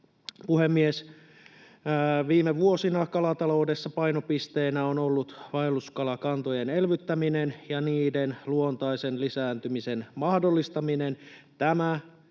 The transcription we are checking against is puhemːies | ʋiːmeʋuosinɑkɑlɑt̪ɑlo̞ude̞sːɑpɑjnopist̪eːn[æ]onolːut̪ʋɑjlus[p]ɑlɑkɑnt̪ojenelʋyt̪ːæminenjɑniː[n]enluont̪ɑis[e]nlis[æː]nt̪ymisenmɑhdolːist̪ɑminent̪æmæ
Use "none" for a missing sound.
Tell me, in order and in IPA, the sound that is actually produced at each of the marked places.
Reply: æ, k, d, e, æː

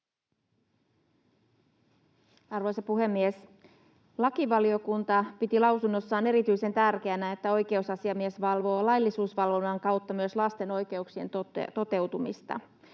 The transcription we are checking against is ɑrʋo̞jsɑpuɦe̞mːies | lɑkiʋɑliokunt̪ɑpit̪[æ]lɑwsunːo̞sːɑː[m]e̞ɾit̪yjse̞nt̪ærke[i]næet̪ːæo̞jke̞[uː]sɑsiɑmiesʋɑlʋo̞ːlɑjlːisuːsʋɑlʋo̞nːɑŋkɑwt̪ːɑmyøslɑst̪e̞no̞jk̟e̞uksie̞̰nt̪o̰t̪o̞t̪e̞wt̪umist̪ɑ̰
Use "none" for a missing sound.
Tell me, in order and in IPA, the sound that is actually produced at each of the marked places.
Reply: i, n, æ, u

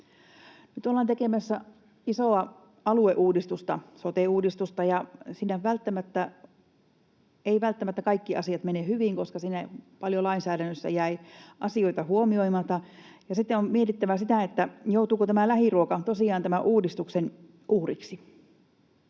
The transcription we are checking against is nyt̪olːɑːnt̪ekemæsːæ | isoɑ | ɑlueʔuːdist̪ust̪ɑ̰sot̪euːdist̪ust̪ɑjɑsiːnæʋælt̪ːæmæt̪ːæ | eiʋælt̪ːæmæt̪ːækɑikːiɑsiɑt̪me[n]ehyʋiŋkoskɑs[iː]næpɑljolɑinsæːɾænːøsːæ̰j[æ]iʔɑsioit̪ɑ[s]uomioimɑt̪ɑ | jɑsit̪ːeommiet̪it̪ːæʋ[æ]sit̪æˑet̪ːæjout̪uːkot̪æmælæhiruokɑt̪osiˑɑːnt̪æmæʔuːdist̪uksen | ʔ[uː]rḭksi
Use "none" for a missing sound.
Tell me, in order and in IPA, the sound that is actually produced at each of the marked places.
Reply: n, iː, æ, h, æ, uː

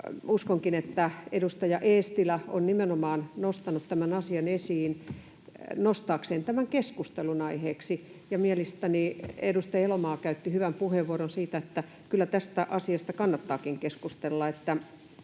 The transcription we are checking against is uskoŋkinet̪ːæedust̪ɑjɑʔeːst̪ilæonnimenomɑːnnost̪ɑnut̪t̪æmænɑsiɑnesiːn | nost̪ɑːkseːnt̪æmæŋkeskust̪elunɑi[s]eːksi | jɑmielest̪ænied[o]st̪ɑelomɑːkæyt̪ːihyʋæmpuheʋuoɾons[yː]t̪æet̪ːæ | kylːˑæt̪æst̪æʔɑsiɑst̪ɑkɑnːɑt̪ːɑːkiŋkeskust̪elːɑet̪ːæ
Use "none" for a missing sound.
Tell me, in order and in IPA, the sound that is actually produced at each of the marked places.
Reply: h, u, iː

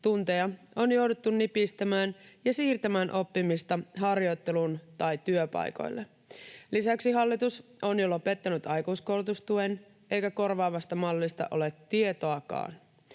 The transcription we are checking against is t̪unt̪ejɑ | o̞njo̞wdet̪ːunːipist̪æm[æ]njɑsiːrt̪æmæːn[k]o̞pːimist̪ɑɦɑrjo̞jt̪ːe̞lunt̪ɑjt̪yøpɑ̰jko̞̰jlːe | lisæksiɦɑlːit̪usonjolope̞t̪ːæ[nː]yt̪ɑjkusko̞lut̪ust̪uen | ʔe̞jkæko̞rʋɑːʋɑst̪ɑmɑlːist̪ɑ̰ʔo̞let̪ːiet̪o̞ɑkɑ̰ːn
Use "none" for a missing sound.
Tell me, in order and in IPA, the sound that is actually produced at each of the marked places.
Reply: æː, ʔ, n

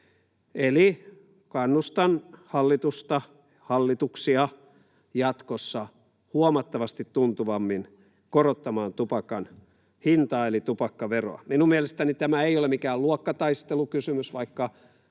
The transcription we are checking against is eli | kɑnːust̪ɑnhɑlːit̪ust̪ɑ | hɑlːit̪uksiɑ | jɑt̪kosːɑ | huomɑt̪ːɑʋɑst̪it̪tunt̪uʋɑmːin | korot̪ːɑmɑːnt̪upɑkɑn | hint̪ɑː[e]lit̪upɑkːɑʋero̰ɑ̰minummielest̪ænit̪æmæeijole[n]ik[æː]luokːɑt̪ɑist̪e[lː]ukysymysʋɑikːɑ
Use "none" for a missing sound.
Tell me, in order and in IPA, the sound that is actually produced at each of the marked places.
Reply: e, m, æː, l

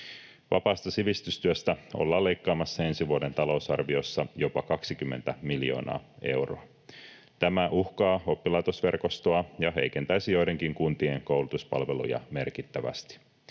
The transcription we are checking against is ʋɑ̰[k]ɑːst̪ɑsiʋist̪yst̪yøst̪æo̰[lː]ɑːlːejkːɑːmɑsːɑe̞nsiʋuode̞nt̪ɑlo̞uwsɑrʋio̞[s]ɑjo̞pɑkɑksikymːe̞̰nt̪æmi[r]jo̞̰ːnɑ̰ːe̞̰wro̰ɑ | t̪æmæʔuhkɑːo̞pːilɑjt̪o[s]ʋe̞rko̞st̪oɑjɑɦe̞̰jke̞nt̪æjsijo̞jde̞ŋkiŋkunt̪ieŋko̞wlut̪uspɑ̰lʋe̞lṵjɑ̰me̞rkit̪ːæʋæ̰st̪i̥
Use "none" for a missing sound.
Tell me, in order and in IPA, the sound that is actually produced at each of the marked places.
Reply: p, lː, sː, l, s

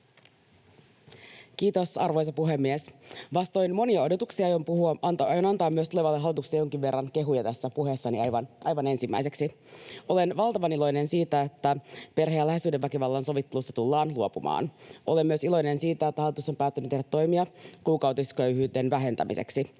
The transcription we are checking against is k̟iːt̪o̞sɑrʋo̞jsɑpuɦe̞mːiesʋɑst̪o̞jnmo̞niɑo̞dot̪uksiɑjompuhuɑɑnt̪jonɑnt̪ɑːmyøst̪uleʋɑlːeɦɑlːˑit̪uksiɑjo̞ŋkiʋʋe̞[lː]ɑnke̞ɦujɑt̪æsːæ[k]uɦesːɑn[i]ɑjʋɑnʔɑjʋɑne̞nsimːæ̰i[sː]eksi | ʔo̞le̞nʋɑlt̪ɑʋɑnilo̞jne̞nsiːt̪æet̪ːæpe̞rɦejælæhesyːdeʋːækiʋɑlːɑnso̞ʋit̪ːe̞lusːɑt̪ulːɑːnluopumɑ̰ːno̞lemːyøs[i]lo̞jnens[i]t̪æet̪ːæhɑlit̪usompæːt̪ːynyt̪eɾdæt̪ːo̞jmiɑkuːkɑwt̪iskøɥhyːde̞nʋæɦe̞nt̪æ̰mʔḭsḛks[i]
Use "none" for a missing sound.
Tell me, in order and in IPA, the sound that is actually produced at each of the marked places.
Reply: rː, p, i, s, i, iː, i

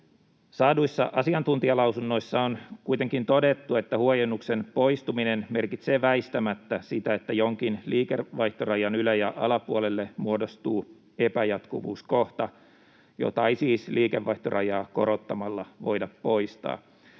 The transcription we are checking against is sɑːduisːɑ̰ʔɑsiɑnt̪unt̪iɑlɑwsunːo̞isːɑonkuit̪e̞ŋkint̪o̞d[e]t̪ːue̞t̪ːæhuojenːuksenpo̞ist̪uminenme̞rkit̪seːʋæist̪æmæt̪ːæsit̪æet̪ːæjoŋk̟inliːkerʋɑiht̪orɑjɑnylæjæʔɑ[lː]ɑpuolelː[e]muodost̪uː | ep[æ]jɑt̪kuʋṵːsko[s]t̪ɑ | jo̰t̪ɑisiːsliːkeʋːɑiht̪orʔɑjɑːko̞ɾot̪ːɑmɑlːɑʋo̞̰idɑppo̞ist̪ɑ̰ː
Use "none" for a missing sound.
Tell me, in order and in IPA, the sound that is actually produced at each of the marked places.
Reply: e, l, e, æ, h

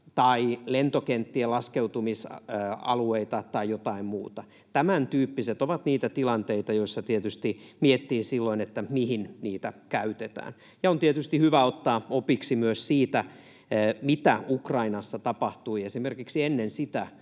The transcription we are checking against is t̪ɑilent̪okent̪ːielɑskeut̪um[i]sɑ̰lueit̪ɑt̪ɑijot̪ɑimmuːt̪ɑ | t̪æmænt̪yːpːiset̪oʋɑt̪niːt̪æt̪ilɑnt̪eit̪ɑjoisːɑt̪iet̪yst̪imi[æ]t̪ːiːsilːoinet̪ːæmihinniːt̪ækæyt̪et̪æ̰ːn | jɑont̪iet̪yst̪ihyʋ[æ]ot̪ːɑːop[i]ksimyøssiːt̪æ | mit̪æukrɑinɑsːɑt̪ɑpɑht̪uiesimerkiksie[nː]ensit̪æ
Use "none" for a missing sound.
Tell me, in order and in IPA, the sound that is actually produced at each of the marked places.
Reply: i, e, æ, i, nː

